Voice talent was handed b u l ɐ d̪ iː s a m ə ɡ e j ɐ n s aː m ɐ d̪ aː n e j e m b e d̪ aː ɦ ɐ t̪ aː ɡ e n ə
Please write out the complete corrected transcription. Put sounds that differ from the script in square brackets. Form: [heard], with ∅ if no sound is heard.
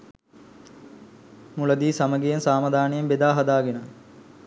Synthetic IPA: [m] u l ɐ d̪ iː s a m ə ɡ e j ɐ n s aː m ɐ d̪ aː n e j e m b e d̪ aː ɦ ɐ [d̪] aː ɡ e n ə

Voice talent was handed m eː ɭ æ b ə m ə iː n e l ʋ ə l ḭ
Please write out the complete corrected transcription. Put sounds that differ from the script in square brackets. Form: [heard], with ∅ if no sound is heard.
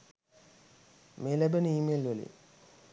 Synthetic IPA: m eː [l] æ b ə [n] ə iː [m] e l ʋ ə l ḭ

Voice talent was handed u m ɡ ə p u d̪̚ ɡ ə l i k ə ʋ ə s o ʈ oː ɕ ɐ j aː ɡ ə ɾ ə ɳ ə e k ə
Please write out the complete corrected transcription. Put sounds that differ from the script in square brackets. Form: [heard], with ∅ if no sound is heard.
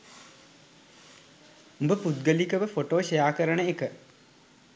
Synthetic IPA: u m [b] ə p u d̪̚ ɡ ə l i k ə ʋ ə [f] o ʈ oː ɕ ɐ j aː [k] ə ɾ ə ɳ ə e k ə

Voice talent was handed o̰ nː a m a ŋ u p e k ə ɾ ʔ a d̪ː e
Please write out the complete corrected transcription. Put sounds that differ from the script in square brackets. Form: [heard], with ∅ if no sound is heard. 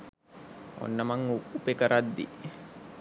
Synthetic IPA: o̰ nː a m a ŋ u p e k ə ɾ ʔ a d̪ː [i]

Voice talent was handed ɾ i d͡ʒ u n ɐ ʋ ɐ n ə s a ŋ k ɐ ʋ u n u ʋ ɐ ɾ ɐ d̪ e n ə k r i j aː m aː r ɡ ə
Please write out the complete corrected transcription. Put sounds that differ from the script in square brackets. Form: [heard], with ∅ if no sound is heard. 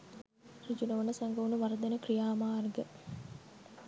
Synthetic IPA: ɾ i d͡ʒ u n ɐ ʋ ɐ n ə s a ŋ [ɡ] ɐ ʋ u n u ʋ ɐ ɾ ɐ d̪ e n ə k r i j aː m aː r ɡ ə

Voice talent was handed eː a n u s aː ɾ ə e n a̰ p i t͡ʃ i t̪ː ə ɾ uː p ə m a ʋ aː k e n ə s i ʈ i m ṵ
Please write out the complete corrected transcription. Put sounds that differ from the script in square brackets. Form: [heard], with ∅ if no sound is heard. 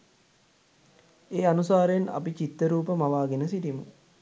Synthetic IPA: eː a n u s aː ɾ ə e n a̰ p i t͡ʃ i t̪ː ə ɾ uː p ə m a ʋ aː [ɡ] e n ə s i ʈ i m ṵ

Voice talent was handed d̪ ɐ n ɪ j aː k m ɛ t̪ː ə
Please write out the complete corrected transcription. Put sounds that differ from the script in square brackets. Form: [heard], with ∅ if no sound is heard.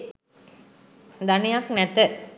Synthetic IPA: d̪ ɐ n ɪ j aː k [n] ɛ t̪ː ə

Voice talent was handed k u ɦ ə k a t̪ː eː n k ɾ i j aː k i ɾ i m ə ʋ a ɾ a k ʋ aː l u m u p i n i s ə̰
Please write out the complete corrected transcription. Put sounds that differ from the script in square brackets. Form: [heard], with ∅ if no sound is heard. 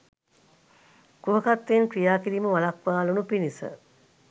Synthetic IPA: k u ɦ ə k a t̪ː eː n k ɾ i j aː k i ɾ i m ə ʋ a [l] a k ʋ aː l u [n] u p i n i s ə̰

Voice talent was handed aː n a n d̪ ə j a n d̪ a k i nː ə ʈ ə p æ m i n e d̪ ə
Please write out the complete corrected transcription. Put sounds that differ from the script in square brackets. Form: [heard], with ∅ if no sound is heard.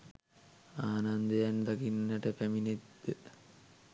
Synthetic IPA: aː n a n d̪ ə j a n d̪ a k i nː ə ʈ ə p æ m i n e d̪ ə

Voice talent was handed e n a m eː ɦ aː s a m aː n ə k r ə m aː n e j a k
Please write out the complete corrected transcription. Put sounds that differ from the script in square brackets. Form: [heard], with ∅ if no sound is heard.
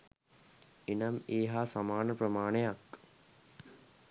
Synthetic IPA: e n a m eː ɦ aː s a m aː n ə [p] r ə m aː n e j a k

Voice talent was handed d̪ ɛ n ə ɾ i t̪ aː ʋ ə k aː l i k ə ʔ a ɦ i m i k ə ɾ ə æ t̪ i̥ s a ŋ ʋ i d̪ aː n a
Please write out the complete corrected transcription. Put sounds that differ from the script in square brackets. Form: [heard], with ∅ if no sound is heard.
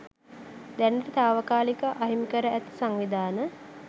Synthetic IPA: d̪ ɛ n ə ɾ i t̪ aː ʋ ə k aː l i k ə ʔ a ɦ i m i k ə ɾ ə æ t̪ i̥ s a ŋ ʋ i d̪ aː n [ə]

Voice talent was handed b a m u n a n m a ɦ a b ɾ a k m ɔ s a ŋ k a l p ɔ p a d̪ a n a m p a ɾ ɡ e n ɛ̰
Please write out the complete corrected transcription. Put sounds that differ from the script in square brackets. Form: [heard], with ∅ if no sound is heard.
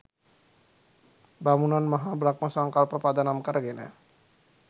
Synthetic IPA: b a m u n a n m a ɦ a b ɾ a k m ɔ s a ŋ k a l p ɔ p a d̪ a n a m [k] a ɾ ɡ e n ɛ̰

